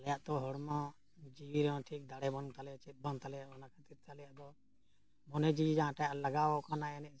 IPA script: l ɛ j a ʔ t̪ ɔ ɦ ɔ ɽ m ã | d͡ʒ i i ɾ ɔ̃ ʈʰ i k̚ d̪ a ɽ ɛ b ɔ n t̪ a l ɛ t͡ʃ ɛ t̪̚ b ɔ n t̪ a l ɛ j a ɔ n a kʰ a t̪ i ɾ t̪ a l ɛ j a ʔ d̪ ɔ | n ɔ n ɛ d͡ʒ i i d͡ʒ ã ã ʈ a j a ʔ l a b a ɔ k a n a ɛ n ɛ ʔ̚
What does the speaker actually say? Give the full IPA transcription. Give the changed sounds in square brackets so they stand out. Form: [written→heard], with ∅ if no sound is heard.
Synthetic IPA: l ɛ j a ʔ t̪ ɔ ɦ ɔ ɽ m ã | d͡ʒ i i ɾ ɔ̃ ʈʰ i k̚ d̪ a ɽ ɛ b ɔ n t̪ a l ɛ t͡ʃ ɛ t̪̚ b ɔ n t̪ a l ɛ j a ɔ n a kʰ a t̪ i ɾ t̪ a l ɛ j a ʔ d̪ ɔ | [n→m] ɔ n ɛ d͡ʒ i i d͡ʒ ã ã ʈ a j a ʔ l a [b→ɡ] a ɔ k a n a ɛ n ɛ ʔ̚

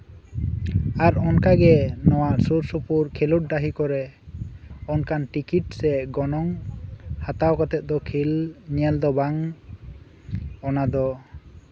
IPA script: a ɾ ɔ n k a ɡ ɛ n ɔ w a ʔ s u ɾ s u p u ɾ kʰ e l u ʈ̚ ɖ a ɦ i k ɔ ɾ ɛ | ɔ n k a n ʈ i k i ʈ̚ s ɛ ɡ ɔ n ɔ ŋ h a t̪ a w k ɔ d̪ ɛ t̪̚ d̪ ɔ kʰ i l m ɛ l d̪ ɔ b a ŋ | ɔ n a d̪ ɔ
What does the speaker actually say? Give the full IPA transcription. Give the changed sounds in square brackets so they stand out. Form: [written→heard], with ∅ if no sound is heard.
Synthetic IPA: a ɾ ɔ n k a ɡ ɛ n ɔ w a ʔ s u ɾ s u p u ɾ kʰ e l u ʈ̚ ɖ a ɦ i k ɔ ɾ ɛ | ɔ n k a n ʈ i k i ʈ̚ s ɛ ɡ ɔ n ɔ ŋ h a t̪ a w k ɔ [d̪→t̪] ɛ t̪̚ d̪ ɔ kʰ i l [m→ɲ] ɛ l d̪ ɔ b a ŋ | ɔ n a d̪ ɔ

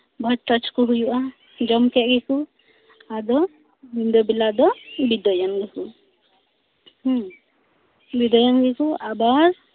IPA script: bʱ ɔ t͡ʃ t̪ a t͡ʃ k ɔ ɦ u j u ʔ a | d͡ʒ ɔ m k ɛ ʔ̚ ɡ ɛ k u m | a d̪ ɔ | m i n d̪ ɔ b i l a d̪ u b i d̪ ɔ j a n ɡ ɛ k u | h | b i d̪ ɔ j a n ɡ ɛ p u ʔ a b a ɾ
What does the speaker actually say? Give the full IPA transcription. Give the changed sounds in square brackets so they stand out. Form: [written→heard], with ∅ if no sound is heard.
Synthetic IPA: bʱ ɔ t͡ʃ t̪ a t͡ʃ k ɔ ɦ u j u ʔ a | d͡ʒ ɔ m k ɛ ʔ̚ ɡ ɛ k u [m→∅] | a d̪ ɔ | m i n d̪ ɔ b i l a d̪ [u→ɔ] b i d̪ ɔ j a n ɡ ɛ k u | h | b i d̪ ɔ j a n ɡ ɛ [p→k] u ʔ a b a ɾ

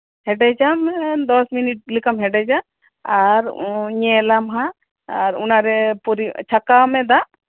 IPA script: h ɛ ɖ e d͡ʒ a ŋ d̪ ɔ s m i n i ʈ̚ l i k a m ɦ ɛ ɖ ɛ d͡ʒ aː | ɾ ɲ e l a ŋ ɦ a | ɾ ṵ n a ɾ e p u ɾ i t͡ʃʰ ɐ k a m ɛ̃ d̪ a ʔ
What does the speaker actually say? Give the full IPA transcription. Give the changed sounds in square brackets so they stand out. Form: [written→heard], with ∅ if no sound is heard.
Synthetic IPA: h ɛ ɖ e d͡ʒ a [ŋ→m] d̪ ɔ s m i n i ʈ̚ l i k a m ɦ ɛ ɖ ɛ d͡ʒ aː | ɾ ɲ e l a [ŋ→m] ɦ a | ɾ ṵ n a ɾ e p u ɾ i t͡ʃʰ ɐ k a m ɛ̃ d̪ a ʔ

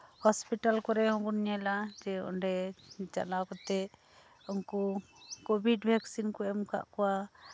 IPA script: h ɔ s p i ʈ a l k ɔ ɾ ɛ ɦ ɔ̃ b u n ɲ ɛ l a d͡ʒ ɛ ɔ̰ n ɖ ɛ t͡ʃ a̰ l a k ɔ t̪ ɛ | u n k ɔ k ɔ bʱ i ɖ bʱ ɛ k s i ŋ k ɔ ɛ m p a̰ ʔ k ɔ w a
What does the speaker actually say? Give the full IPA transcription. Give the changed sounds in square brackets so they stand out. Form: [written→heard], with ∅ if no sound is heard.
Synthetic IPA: h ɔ s p i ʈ a l k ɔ ɾ ɛ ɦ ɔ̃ b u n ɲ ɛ l a d͡ʒ ɛ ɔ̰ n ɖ ɛ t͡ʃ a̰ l a k ɔ t̪ ɛ | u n k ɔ k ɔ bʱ i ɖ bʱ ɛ k s i [ŋ→n] k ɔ ɛ m [p→k] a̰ ʔ k ɔ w a

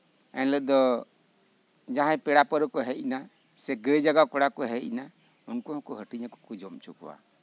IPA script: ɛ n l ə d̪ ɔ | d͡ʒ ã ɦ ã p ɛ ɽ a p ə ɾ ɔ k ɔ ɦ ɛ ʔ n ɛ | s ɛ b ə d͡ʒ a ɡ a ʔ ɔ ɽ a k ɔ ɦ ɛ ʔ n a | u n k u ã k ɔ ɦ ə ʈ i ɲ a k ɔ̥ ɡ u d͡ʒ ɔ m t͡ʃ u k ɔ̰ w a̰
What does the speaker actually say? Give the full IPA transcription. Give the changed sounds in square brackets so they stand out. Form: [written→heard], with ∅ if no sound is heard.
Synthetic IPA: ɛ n l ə d̪ ɔ | d͡ʒ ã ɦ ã p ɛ ɽ a p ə ɾ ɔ k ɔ ɦ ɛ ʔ n [ɛ→a] | s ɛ [b→ɡ] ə d͡ʒ a ɡ a [ʔ→k] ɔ ɽ a k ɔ ɦ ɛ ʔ n a | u n k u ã k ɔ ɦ ə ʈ i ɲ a k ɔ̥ [ɡ→k] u d͡ʒ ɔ m t͡ʃ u k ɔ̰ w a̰

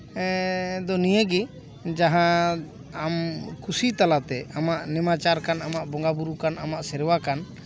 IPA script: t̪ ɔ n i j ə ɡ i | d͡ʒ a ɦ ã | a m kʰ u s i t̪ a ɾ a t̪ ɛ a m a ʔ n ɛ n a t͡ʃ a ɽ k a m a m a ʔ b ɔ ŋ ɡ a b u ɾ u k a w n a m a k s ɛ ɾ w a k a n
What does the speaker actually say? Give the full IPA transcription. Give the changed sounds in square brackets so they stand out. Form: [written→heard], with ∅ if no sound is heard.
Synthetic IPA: [t̪→d̪] ɔ n i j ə ɡ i | d͡ʒ a ɦ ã | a m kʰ u s i t̪ a [ɾ→l] a t̪ ɛ a m a ʔ n ɛ [n→m] a t͡ʃ a [ɽ→ɾ] k a [m→n] a m a ʔ b ɔ ŋ ɡ a b u ɾ u k a [w→∅] n a m a [k→ʔ] s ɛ ɾ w a k a n

